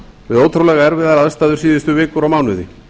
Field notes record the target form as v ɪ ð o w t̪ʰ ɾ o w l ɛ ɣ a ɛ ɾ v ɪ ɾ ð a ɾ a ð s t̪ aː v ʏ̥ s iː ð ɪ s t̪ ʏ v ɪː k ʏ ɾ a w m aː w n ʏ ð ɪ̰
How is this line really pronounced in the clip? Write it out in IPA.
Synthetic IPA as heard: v ɪ ð o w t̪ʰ ɾ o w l ɛ ɣ a ɛ ɾ v ɪ ð a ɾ a ð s t̪ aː ð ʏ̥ s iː ð ɪ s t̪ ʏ v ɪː k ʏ ɾ a w m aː w n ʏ ð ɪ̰